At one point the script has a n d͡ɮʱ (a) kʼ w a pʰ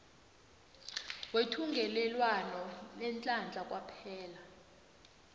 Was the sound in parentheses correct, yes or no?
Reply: yes